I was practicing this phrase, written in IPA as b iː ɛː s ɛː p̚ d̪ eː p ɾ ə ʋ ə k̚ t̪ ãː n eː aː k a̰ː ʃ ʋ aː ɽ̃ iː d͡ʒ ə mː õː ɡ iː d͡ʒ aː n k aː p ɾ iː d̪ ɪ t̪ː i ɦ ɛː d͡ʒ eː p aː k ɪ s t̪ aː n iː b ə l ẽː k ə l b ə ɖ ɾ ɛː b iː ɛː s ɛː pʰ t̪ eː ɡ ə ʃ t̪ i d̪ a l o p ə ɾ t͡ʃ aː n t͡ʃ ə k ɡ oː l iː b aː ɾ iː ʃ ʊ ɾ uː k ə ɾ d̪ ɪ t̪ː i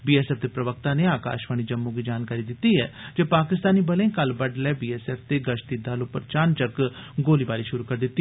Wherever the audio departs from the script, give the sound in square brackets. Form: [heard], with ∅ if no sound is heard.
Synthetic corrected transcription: b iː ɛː s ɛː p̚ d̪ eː p ɾ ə ʋ ə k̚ t̪ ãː n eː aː k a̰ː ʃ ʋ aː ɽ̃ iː d͡ʒ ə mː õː ɡ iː d͡ʒ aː n k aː [∅] ɾ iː d̪ ɪ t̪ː i ɦ ɛː d͡ʒ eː p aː k ɪ s t̪ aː n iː b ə l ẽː k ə l b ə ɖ [l] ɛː b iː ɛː s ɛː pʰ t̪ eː ɡ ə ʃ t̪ i d̪ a l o p ə ɾ t͡ʃ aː n t͡ʃ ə k ɡ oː l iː b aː ɾ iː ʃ ʊ ɾ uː k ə ɾ d̪ ɪ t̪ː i

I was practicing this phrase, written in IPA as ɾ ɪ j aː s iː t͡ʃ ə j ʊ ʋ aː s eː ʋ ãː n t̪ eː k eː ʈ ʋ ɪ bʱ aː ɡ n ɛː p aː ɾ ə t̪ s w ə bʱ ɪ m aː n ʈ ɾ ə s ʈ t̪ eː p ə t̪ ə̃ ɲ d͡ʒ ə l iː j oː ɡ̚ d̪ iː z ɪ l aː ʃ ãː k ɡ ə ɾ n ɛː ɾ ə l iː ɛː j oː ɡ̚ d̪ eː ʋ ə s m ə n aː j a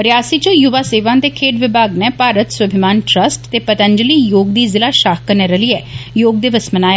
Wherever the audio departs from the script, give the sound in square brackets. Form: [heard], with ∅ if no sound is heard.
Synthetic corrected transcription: ɾ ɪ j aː s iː t͡ʃ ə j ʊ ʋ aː s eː ʋ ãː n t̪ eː [kʰ] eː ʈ ʋ ɪ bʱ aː ɡ n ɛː p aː ɾ ə t̪ s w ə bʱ ɪ m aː n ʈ ɾ ə s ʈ t̪ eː p ə t̪ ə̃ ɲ d͡ʒ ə l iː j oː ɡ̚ d̪ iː z ɪ l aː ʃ [aː] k [k] ə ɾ n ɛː ɾ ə l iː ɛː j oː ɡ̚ d̪ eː ʋ ə s m ə n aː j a

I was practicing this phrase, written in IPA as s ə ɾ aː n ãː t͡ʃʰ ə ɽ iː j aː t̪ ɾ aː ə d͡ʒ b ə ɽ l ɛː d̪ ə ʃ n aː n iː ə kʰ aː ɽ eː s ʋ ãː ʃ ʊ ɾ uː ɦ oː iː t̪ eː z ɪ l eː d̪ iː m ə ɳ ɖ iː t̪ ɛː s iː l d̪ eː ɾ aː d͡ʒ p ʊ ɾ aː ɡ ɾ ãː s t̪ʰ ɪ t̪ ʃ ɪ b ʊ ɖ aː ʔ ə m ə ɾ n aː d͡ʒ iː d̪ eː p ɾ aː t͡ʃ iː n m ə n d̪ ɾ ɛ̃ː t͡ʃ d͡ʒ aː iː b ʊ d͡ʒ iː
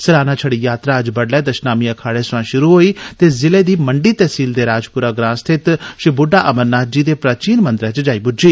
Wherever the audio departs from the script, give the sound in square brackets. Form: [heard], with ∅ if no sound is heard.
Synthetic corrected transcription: s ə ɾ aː n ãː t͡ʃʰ ə ɽ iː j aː t̪ ɾ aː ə d͡ʒ b ə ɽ l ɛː d̪ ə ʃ n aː [m] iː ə kʰ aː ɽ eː s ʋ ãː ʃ ʊ ɾ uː ɦ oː iː t̪ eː z ɪ l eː d̪ iː m ə ɳ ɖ iː t̪ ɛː s iː l d̪ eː ɾ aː d͡ʒ p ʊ ɾ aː ɡ ɾ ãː s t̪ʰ ɪ t̪ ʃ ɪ b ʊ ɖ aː ʔ ə m ə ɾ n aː d͡ʒ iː d̪ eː p ɾ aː t͡ʃ iː n m ə n d̪ ɾ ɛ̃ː t͡ʃ d͡ʒ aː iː b ʊ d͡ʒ iː

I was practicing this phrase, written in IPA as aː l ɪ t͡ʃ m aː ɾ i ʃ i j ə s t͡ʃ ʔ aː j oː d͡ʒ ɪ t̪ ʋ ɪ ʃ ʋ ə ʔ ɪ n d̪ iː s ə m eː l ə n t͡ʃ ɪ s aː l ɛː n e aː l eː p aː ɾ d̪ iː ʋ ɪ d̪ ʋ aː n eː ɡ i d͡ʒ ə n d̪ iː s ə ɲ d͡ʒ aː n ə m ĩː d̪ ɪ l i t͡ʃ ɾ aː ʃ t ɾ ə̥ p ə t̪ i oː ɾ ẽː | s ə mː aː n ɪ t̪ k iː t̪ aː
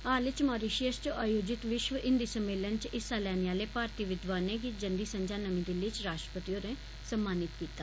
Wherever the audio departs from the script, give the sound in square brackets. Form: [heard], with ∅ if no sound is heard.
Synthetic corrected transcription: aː l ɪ t͡ʃ m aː ɾ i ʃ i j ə s t͡ʃ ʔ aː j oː d͡ʒ ɪ t̪ ʋ ɪ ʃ ʋ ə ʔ ɪ n d̪ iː s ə m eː l ə n t͡ʃ ɪ s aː l ɛː n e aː l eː p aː ɾ [t̪] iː ʋ ɪ d̪ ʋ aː n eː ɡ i d͡ʒ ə n d̪ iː s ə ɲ d͡ʒ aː n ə m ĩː d̪ ɪ l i t͡ʃ ɾ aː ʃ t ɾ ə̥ p ə t̪ i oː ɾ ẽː | s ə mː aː n ɪ t̪ k iː t̪ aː

